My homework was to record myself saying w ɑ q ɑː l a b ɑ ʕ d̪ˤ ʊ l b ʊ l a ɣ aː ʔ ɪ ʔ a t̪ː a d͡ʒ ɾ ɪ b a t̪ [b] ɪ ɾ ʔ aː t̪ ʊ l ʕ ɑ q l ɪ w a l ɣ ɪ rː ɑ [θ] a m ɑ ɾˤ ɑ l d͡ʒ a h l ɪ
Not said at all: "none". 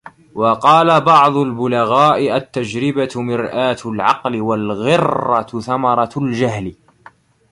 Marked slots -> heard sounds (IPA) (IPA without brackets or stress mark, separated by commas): m, θ